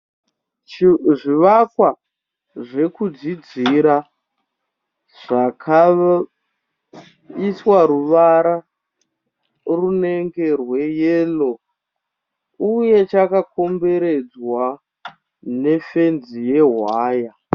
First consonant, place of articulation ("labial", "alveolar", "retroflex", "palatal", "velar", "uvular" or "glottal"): retroflex